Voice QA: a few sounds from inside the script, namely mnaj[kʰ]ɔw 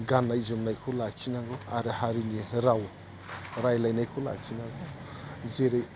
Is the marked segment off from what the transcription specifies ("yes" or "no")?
no